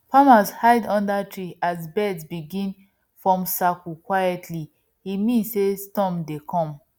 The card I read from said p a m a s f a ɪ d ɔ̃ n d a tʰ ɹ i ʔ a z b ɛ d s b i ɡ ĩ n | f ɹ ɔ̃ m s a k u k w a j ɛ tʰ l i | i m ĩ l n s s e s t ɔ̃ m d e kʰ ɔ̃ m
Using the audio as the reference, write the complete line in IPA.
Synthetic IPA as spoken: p a m a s h a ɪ d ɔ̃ n d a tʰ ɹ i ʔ a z b ɛ d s b i ɡ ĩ n | f ɹ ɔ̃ m s a k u k w a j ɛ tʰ l i | i m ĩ n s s e s t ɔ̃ m d e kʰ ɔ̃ m